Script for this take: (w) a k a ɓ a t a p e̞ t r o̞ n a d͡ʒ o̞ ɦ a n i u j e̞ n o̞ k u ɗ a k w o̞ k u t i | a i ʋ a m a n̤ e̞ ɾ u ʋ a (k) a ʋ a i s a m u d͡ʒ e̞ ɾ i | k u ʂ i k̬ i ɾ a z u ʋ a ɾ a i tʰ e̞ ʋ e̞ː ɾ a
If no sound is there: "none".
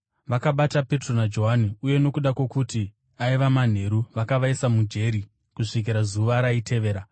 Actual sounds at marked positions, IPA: ʋ, k

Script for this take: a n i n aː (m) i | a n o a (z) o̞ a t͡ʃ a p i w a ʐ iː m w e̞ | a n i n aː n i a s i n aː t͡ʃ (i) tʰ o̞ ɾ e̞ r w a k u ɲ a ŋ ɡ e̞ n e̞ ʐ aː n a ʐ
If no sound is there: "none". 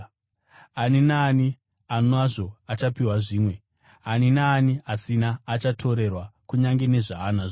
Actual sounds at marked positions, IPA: n, ʐ, a

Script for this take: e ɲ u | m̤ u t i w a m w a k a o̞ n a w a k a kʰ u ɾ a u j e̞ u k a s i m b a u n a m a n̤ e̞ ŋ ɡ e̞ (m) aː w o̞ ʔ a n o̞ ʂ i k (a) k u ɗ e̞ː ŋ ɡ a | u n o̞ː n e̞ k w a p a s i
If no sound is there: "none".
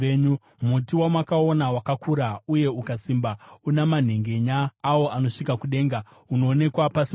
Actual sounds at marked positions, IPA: ɲ, a

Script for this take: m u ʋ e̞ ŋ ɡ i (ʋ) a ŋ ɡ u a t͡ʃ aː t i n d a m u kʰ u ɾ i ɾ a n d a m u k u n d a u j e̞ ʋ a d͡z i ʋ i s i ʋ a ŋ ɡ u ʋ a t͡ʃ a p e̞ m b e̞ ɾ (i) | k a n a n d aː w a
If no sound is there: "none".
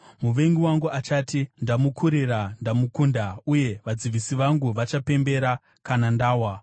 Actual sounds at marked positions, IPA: w, a

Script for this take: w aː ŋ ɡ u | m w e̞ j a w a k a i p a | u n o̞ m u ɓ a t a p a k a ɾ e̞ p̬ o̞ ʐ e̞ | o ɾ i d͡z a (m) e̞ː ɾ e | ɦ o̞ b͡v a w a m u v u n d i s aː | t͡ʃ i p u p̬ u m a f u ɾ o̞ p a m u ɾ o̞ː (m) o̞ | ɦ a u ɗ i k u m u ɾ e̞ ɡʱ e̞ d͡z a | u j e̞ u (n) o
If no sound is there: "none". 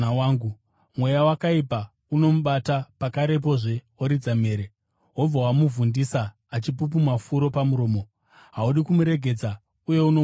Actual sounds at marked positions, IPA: m, m, n

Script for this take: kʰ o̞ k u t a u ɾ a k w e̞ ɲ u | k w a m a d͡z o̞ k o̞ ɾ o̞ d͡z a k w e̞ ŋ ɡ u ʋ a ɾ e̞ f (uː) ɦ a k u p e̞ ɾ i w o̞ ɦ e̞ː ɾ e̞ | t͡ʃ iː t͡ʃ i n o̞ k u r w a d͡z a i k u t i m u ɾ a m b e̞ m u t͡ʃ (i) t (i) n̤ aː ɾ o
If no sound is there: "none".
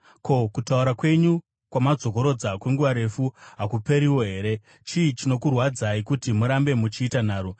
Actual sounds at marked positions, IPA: u, iː, a

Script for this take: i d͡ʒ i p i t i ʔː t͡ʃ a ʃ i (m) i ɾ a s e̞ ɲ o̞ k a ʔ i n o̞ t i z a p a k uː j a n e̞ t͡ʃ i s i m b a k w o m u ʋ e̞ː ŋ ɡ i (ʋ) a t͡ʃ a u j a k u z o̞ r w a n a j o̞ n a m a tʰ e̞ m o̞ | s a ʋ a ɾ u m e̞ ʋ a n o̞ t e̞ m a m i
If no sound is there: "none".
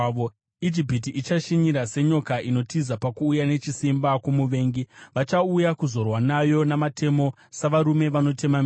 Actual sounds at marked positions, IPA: ɲ, ʋ

